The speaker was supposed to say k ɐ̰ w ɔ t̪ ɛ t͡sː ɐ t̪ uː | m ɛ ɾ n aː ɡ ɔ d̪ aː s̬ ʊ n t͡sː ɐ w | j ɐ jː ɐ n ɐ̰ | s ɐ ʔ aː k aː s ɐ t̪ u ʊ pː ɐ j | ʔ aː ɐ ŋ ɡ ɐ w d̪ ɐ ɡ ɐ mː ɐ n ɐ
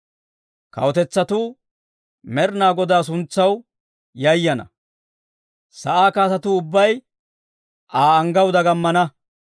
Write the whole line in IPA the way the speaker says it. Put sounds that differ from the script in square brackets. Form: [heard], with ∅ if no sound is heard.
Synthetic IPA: k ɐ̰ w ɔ t̪ ɛ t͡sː ɐ t̪ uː | m ɛ ɾ n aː ɡ ɔ d̪ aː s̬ ʊ n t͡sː ɐ w | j ɐ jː ɐ n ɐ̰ | s ɐ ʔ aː k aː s ɐ t̪ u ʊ [bː] ɐ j | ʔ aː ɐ ŋ ɡ ɐ w d̪ ɐ ɡ ɐ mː ɐ n ɐ